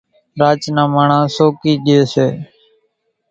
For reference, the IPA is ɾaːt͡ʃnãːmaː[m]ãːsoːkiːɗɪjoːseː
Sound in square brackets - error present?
yes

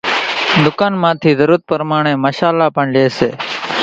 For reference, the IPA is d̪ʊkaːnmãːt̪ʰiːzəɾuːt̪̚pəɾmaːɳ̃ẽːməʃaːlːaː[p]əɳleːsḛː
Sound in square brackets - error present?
no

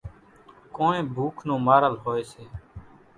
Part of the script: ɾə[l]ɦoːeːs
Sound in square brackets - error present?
no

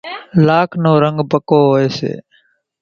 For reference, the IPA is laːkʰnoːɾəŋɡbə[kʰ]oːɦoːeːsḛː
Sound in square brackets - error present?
yes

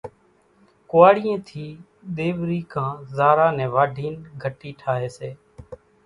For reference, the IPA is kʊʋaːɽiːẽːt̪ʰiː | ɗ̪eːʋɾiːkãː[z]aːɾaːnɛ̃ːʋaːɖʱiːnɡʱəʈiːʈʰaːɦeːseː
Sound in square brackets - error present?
no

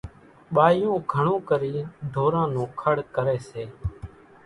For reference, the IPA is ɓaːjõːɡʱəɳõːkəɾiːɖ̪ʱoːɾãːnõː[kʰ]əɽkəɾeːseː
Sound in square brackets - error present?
no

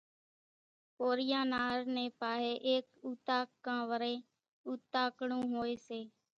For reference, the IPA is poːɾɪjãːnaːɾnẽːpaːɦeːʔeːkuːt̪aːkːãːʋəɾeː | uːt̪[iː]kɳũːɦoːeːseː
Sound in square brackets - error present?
yes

